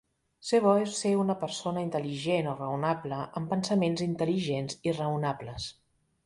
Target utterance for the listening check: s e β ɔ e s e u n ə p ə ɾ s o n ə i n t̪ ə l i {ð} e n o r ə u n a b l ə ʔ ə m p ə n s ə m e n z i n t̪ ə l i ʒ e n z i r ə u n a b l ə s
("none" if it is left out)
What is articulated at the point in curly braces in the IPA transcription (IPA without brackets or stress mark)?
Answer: ʒ